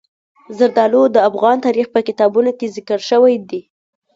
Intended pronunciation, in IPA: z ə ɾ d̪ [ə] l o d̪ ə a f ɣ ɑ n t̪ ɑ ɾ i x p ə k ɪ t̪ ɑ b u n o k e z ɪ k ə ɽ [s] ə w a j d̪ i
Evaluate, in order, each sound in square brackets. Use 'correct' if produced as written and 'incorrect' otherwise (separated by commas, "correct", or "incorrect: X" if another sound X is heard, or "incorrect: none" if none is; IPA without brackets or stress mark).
incorrect: ɑ, incorrect: ʃ